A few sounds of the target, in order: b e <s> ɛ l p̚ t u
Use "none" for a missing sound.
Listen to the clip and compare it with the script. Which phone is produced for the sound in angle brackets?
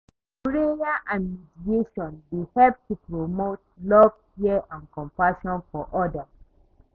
h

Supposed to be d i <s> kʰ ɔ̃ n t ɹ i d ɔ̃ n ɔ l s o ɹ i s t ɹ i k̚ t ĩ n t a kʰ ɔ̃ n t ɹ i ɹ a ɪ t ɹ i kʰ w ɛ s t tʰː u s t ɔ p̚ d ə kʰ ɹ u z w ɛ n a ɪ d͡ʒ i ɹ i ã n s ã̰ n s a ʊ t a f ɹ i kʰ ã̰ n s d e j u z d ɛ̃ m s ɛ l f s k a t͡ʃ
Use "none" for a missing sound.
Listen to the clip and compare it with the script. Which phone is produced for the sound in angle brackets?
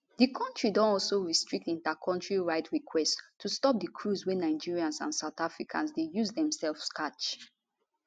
none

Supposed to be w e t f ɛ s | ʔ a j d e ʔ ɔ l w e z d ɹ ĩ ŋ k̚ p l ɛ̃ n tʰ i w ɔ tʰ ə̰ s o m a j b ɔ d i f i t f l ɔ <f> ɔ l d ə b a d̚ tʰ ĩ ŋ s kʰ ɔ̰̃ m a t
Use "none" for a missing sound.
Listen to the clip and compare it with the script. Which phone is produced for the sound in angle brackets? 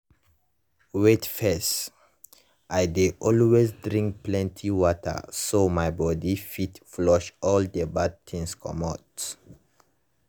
ʃ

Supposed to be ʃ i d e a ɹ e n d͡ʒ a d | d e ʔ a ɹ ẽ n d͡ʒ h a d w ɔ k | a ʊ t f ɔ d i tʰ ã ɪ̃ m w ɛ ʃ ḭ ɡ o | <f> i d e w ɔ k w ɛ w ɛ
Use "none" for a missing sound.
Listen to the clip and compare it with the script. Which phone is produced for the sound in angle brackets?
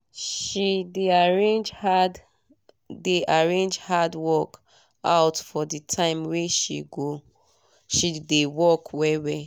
ʃ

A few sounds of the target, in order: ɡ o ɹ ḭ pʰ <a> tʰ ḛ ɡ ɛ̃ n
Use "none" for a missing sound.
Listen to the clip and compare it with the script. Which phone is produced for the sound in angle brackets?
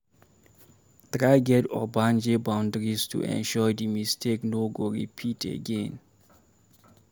i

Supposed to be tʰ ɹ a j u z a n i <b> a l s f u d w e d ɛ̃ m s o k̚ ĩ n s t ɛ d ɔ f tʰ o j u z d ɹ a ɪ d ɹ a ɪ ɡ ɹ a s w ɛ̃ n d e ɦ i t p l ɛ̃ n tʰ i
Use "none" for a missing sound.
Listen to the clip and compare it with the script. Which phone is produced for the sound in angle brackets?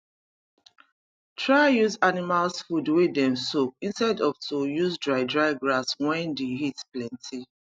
m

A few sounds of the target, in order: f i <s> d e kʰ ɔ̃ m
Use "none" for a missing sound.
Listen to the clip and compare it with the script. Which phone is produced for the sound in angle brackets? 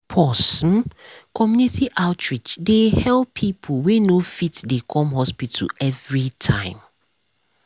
t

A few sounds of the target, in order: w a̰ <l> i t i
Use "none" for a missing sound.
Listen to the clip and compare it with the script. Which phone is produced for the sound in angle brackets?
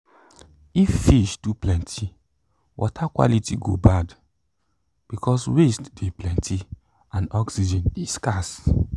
l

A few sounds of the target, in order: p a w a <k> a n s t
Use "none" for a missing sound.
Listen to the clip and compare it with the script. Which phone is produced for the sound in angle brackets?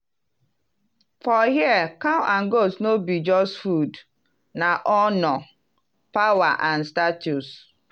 ʔ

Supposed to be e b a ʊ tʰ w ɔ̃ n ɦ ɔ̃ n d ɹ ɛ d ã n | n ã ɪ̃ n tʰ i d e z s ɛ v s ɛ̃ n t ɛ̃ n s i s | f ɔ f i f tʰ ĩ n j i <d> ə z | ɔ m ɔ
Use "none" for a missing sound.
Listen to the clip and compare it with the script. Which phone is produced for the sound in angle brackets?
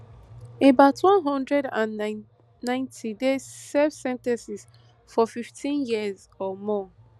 none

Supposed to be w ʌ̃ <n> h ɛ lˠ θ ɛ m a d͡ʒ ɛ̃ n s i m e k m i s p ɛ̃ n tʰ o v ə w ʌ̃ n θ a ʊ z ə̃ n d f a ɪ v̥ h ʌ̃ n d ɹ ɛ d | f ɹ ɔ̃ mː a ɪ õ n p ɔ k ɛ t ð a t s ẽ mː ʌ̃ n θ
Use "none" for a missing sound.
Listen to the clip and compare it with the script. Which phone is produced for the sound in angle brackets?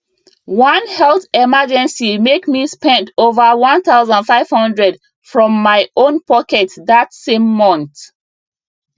n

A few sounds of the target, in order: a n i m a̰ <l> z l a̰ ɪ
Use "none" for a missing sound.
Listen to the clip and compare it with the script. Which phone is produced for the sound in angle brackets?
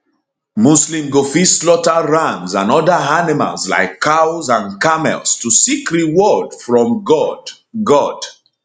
l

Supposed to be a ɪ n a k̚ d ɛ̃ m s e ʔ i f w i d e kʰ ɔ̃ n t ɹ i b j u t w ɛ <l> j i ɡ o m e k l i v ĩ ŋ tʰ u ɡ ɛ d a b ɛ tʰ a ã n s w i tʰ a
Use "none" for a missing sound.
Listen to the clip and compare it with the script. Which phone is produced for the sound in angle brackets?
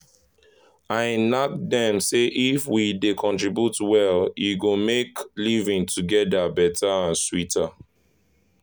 l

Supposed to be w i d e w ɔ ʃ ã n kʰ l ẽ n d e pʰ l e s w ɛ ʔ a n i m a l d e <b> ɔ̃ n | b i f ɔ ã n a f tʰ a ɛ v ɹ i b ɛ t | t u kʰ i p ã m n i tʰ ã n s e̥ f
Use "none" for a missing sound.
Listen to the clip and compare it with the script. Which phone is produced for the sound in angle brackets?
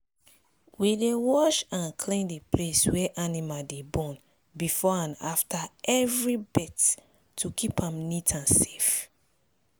b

